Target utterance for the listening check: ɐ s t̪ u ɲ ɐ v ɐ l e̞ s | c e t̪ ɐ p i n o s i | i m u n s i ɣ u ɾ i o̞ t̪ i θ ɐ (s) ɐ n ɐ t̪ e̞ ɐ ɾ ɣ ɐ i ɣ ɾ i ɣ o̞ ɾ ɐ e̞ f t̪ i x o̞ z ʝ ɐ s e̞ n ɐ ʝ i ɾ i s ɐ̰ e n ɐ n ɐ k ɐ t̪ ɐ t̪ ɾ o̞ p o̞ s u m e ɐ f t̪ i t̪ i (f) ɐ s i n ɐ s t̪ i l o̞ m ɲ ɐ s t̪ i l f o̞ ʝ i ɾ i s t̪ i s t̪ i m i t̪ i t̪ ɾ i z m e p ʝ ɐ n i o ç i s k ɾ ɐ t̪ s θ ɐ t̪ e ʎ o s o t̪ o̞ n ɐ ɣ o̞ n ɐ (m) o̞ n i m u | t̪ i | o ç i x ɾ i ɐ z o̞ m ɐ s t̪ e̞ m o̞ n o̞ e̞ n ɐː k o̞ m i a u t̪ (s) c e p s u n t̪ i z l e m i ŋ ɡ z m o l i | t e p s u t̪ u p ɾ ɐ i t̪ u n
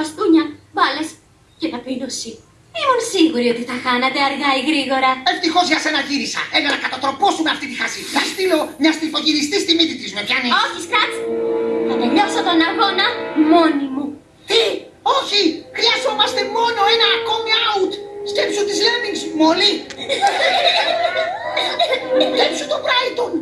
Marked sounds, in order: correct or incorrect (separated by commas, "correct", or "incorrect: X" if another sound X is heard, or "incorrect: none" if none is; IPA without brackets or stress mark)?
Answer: incorrect: x, incorrect: x, correct, correct